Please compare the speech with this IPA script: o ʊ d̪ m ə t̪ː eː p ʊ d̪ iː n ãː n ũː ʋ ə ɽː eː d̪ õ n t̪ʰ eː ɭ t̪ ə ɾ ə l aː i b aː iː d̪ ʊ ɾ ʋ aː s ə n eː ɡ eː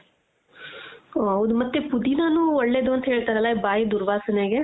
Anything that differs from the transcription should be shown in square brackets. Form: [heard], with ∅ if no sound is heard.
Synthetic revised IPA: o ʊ d̪ m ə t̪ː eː p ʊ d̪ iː n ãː n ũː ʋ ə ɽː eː d̪ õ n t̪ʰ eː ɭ t̪ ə ɾ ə l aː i b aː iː d̪ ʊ ɾ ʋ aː s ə n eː ɡ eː